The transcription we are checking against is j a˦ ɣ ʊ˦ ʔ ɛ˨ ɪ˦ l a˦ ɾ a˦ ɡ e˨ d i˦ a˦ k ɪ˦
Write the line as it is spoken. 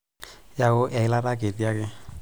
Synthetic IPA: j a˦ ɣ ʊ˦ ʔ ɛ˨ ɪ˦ l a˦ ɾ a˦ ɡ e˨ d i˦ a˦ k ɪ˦